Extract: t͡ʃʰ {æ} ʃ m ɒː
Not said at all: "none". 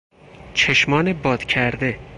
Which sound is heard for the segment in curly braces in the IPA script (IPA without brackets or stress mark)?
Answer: e